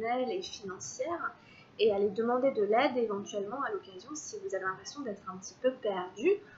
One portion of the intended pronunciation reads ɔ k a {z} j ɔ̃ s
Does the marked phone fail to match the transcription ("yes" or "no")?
no